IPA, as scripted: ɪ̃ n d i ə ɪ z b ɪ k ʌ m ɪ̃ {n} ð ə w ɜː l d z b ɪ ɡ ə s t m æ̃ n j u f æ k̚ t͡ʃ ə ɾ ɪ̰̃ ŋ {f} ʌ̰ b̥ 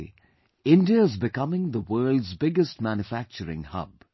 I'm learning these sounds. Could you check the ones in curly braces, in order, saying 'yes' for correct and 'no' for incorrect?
no, no

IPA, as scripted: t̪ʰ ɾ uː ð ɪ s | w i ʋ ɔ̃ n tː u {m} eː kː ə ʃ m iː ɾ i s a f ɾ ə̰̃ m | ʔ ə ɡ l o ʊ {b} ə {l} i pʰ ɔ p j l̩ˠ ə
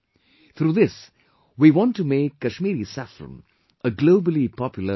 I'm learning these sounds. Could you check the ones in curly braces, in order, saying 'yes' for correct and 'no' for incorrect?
yes, yes, yes

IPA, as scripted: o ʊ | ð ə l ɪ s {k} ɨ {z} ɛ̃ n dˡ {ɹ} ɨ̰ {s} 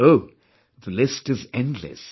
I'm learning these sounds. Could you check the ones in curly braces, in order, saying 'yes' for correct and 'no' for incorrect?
no, yes, no, yes

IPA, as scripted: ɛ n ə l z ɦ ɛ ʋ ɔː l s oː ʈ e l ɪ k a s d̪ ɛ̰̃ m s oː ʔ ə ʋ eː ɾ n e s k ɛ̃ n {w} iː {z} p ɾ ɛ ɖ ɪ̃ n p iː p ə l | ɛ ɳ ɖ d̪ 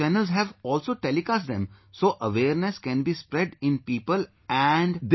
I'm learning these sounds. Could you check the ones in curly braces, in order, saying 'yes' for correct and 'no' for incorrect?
no, no

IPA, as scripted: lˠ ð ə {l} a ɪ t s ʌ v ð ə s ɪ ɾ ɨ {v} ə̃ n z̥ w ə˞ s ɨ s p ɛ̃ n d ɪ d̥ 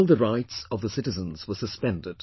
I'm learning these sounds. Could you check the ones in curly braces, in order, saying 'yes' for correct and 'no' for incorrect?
no, no

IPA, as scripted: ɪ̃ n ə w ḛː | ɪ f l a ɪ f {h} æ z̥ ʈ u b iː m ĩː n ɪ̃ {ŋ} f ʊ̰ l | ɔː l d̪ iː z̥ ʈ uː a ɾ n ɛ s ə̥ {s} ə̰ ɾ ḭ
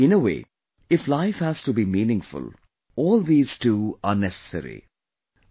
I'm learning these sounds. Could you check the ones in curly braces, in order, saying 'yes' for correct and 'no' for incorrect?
yes, yes, yes

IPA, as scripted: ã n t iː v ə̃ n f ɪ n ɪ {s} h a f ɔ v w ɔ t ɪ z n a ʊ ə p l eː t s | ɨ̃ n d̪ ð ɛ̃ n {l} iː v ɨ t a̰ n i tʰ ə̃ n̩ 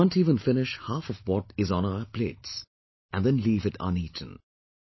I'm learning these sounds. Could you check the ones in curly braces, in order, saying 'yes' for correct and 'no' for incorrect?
no, yes

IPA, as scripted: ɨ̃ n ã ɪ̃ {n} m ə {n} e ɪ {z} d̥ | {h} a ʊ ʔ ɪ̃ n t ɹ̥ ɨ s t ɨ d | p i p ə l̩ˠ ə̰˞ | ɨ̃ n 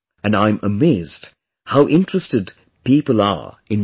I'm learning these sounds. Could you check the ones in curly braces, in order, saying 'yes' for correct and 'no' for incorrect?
no, no, yes, yes

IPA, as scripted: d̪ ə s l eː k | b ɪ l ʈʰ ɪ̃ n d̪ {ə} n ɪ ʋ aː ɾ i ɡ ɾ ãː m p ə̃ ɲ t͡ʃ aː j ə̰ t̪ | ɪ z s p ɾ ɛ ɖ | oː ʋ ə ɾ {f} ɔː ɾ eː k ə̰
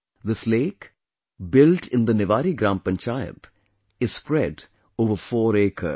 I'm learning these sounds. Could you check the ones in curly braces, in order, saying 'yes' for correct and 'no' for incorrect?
yes, yes

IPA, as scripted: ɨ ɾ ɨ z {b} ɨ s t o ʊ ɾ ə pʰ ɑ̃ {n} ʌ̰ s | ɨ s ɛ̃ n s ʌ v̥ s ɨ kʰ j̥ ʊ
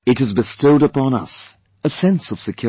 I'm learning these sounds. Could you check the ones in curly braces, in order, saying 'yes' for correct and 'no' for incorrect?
yes, yes

